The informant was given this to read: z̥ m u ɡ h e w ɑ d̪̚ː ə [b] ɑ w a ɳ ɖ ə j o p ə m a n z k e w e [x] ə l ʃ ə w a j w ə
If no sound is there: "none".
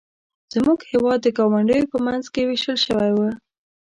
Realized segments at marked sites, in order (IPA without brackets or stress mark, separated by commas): ɡ, ʃ